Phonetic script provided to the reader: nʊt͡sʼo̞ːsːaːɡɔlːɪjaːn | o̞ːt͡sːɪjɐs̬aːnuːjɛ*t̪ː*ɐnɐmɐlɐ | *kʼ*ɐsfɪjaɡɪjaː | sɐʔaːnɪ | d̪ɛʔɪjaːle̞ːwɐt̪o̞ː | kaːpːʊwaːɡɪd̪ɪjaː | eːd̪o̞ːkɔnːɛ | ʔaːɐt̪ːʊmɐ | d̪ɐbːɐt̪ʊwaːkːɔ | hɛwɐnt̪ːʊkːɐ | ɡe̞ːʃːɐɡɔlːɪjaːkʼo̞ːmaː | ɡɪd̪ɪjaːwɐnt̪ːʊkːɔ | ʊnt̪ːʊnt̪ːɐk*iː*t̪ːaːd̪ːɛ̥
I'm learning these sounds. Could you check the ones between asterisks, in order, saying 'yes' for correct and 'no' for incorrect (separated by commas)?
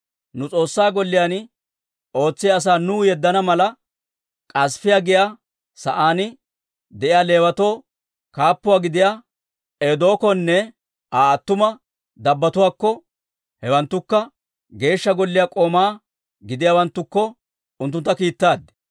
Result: no, yes, yes